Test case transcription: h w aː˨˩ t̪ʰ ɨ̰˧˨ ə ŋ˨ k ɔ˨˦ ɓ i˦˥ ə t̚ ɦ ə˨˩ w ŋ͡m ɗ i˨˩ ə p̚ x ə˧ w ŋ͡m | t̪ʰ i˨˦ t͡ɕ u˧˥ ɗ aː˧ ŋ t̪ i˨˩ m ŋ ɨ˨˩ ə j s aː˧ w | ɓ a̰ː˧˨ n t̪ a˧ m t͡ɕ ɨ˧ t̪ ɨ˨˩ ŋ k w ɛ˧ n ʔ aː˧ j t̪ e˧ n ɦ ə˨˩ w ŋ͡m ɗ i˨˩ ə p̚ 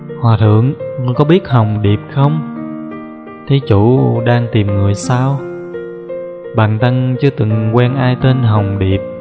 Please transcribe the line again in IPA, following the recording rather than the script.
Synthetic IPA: h w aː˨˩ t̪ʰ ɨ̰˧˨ ə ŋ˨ k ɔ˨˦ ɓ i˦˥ ə t̚ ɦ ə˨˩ w ŋ͡m ɗ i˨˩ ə p̚ x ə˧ w ŋ͡m | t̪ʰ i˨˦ t͡ɕ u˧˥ ɗ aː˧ ŋ t̪ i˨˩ m ŋ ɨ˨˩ ə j s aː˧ w | ɓ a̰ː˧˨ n t̪ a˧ ŋ t͡ɕ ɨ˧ t̪ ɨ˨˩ ŋ k w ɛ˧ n ʔ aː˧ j t̪ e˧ n ɦ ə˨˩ w ŋ͡m ɗ i˨˩ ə p̚